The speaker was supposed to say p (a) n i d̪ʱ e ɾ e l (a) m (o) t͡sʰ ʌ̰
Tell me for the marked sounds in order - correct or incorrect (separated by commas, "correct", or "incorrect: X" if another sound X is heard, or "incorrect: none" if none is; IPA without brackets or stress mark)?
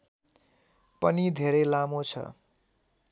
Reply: incorrect: ʌ, correct, correct